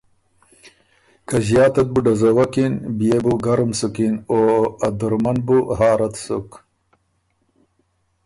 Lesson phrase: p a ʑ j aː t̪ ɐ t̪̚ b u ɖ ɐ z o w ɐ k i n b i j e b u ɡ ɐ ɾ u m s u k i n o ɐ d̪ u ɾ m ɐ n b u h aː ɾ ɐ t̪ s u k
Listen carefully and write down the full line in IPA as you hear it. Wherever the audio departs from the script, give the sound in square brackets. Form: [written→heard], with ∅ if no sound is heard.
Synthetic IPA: [p→k] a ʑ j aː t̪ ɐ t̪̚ b u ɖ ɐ z o w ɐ k i n b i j e b u ɡ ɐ ɾ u m s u k i n o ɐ d̪ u ɾ m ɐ n b u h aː ɾ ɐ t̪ s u k